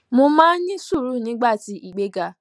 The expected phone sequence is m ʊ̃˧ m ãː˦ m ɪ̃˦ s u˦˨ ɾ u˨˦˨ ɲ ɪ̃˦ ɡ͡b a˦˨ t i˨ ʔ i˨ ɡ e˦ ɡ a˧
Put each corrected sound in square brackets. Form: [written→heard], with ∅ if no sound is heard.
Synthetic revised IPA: m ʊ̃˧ m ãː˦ [m→ɲ] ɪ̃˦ s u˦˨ ɾ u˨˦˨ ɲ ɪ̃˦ ɡ͡b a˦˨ t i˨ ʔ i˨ [ɡ→ɡ͡b] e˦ ɡ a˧